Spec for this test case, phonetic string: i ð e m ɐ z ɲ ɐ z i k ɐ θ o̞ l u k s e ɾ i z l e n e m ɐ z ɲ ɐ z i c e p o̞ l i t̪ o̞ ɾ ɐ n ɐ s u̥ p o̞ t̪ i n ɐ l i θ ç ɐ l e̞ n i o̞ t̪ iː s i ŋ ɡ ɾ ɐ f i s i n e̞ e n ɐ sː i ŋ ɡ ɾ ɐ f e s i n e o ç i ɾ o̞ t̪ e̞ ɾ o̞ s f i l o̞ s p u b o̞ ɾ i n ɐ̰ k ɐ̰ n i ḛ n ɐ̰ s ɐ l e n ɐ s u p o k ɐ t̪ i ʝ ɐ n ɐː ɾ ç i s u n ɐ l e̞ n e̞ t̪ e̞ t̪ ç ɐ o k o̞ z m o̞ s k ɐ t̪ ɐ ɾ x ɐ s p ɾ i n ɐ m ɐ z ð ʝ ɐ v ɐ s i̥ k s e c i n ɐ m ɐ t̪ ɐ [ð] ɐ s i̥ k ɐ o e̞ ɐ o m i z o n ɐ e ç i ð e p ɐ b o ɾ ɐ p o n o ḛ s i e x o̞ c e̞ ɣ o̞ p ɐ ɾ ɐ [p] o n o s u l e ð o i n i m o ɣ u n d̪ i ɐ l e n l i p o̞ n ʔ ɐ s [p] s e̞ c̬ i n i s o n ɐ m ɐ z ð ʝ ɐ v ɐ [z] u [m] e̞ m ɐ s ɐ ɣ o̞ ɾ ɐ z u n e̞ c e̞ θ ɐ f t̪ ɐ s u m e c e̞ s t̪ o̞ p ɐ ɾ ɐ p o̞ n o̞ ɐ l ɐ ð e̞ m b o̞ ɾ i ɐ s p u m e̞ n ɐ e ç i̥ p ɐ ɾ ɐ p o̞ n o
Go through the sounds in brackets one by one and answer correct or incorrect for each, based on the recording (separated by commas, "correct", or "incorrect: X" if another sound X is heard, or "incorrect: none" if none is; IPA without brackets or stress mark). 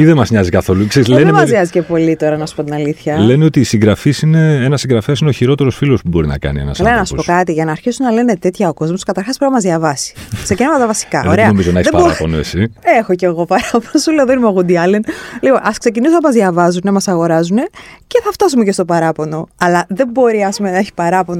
incorrect: v, correct, incorrect: k, correct, incorrect: n